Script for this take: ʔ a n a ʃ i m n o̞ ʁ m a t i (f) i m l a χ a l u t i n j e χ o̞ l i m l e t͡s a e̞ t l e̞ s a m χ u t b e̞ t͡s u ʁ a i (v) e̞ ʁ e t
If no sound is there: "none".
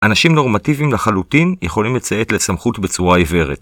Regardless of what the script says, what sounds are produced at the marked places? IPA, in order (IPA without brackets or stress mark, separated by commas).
v, v